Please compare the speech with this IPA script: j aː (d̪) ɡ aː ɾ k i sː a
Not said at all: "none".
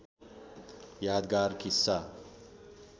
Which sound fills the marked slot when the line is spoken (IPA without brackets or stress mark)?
d̪